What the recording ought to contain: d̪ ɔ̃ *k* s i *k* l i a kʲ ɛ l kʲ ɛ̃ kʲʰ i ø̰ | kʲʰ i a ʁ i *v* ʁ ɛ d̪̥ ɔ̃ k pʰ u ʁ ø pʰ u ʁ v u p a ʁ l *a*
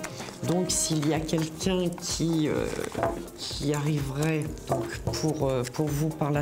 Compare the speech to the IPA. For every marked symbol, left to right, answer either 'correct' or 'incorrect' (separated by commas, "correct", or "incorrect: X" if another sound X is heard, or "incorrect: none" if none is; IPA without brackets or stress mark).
correct, incorrect: none, correct, correct